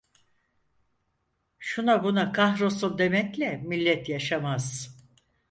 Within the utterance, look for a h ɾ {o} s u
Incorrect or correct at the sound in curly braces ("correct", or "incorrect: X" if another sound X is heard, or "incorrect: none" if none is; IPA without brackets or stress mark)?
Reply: correct